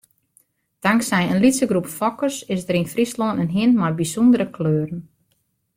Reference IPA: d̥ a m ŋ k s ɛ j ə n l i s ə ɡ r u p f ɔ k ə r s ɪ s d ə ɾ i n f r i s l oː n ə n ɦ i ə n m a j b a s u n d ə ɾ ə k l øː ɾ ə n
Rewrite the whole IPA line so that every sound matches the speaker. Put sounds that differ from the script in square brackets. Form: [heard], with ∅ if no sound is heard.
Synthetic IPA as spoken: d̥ a [∅] ŋ k s ɛ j ə n l i s ə ɡ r u p f ɔ k ə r s ɪ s d ə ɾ i n f r i s l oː n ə n ɦ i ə n m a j b [i] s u n d ə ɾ ə k l øː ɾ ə n